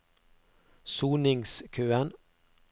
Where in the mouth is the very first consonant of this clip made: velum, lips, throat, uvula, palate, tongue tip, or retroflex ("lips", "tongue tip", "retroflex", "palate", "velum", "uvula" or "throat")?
tongue tip